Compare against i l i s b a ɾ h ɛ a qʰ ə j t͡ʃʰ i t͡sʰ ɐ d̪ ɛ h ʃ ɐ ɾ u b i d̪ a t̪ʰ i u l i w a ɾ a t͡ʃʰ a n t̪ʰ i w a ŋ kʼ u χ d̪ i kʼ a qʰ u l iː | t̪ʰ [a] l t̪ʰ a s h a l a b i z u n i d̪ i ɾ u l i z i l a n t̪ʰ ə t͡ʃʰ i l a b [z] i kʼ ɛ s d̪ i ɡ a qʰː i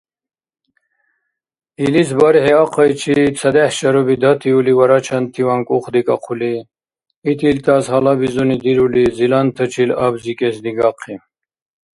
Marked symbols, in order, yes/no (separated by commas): no, yes